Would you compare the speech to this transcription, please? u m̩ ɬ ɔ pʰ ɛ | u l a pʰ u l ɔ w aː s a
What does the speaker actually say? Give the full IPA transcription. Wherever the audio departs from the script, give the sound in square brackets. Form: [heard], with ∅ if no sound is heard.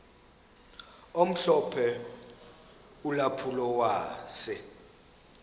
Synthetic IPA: [o] m̩ ɬ ɔ pʰ ɛ | u l a pʰ u l ɔ w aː s [ɛ]